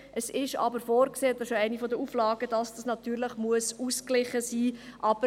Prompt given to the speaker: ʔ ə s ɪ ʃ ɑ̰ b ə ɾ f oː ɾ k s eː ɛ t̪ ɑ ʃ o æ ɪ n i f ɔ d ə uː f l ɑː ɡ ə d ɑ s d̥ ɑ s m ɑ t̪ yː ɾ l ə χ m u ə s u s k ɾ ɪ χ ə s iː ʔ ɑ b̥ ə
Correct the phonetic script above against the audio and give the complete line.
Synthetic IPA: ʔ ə s ɪ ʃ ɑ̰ b ə ɾ f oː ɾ k s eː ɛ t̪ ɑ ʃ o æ ɪ n i f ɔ d ə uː f l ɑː ɡ ə d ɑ s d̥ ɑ s n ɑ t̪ yː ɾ l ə χ m u ə s u s k l ɪ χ ə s iː ʔ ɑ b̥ ə